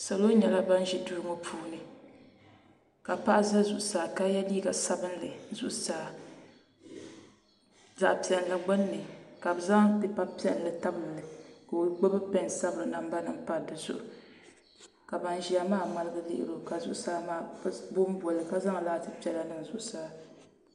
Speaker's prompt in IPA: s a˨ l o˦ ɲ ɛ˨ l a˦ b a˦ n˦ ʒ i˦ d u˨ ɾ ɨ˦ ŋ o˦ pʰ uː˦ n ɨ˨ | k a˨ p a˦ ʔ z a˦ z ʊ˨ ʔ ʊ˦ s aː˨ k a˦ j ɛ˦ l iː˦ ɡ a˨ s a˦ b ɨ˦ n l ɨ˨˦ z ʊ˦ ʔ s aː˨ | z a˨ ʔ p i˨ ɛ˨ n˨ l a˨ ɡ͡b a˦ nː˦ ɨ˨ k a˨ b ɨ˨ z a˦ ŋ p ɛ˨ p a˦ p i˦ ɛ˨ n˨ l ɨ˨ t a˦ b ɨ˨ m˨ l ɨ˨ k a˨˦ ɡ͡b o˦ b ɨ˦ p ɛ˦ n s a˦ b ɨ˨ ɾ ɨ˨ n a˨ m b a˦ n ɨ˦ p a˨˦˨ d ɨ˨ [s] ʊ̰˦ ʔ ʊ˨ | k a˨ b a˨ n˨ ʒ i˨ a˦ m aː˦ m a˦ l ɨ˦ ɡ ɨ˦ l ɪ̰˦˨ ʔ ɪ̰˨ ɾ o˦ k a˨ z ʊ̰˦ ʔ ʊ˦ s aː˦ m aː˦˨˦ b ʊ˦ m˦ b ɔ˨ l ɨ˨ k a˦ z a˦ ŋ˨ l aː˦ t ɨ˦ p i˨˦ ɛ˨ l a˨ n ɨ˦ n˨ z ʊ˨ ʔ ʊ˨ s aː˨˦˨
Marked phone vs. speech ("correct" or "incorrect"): incorrect